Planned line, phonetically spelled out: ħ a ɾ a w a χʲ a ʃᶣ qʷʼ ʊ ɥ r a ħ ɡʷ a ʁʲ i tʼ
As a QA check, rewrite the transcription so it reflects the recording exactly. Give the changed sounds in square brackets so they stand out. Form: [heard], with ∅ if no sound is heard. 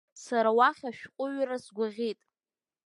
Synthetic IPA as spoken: [s] a ɾ a w a χʲ a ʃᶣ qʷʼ ʊ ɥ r a [s] ɡʷ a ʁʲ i tʼ